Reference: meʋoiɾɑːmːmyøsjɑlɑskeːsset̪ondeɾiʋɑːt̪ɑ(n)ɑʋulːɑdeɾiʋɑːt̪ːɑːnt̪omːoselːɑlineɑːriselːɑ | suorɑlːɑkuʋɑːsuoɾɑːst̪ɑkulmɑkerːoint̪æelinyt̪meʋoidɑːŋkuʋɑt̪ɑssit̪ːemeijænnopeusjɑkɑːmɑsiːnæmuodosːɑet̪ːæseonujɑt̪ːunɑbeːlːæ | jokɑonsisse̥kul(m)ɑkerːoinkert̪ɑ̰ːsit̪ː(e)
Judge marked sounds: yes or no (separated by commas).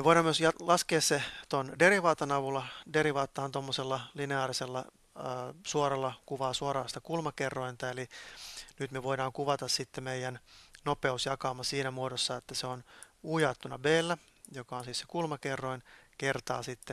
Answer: yes, yes, yes